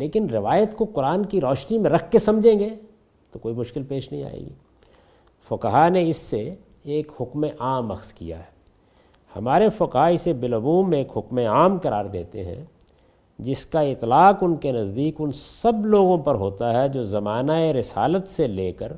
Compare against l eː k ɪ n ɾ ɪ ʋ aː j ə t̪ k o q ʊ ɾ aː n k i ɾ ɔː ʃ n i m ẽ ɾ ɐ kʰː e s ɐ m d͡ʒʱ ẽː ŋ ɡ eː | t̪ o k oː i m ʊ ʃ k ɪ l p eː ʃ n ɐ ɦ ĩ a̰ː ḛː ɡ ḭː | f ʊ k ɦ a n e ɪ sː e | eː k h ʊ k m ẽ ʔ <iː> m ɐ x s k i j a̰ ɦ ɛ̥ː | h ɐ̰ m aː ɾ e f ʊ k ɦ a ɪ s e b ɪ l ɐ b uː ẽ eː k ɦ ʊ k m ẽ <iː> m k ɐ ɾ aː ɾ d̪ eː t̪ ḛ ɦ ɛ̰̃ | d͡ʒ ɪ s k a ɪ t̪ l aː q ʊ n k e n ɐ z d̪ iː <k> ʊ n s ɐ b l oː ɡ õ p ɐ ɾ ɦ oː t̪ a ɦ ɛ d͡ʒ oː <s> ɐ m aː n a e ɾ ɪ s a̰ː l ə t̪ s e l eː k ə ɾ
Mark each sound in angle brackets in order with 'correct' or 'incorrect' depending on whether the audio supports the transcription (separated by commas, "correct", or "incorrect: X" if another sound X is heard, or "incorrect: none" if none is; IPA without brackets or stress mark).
incorrect: aː, incorrect: aː, correct, incorrect: z